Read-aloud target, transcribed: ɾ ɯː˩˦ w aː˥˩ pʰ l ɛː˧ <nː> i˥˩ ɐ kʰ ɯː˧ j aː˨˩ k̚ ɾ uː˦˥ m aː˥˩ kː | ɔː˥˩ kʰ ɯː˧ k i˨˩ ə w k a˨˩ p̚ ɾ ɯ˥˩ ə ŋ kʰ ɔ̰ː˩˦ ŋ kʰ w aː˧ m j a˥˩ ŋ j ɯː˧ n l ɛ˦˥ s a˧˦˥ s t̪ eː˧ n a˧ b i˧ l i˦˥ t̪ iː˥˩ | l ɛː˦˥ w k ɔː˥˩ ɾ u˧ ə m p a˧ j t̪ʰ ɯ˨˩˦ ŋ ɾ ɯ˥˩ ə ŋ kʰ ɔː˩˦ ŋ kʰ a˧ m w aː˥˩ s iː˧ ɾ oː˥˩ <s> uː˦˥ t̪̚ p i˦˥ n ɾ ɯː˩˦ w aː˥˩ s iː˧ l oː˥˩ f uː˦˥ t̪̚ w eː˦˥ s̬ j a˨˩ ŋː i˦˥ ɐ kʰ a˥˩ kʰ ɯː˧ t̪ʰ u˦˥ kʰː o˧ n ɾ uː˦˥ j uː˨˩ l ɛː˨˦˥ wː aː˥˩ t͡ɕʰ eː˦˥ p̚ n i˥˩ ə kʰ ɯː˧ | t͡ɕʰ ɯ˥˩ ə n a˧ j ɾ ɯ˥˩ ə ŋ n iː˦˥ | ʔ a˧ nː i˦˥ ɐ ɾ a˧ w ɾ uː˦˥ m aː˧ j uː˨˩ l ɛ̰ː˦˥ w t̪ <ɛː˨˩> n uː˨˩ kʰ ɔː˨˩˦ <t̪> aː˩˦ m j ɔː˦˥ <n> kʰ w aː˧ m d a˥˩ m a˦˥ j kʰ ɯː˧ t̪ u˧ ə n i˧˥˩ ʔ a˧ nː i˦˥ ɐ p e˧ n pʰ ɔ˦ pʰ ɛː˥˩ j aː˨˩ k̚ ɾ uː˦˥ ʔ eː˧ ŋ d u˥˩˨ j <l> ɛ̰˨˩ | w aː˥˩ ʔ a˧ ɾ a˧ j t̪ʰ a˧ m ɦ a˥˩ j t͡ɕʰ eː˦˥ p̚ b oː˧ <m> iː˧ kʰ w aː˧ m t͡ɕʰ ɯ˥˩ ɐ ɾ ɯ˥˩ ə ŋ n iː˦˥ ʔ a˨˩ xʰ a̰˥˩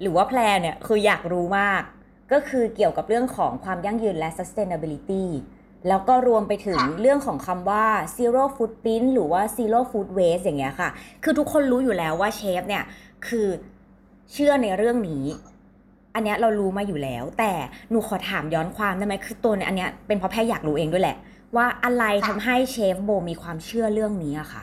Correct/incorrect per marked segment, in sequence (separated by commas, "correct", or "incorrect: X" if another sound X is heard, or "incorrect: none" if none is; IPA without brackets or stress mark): incorrect: n, incorrect: f, correct, incorrect: t̪ʰ, correct, correct, correct